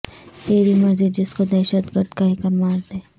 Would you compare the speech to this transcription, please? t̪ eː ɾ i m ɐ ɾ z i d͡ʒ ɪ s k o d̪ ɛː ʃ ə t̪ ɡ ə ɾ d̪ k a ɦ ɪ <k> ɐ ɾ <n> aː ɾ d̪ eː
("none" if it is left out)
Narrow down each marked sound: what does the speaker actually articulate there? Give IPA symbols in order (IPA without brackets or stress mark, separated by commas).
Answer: k, m